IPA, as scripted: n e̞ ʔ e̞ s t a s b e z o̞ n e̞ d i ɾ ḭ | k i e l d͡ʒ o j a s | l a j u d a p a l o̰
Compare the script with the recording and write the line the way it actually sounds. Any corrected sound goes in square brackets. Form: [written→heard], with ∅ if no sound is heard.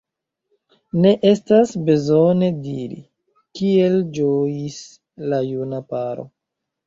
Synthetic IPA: n e̞ ʔ e̞ s t a s b e z o̞ n e̞ d i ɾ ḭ | k i e l d͡ʒ o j [a→i] s | l a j u [d→n] a p a [l→ɾ] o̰